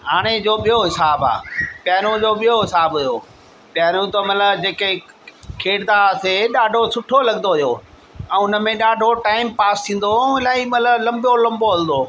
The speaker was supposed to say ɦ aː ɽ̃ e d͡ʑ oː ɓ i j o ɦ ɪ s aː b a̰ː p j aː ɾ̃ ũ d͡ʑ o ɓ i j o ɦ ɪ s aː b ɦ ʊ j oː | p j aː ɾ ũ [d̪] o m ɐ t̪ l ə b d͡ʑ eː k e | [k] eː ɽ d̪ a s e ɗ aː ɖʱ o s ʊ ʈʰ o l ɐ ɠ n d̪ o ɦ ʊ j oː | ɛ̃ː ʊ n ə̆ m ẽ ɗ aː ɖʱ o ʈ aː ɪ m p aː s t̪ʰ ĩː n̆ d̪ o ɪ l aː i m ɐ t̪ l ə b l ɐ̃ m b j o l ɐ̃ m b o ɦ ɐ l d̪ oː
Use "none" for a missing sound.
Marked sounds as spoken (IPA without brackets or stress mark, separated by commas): t̪, kʰ